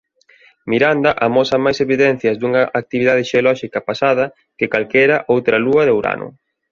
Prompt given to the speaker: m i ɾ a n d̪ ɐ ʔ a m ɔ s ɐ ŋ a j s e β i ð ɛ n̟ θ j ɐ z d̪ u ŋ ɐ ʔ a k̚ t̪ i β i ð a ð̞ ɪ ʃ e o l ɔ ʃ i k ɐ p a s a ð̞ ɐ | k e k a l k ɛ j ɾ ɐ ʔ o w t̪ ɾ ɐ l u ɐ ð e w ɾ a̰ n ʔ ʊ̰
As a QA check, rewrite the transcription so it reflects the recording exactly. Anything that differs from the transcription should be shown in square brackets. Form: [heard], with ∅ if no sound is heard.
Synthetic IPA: m i ɾ a n d̪ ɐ ʔ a m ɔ s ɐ [m] a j s e β i ð ɛ n̟ θ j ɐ z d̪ u ŋ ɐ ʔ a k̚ t̪ i β i ð a ð̞ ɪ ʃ e o l ɔ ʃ i k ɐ p a s a ð̞ ɐ | k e k a l k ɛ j ɾ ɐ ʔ o w t̪ ɾ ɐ l u ɐ ð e w ɾ a̰ n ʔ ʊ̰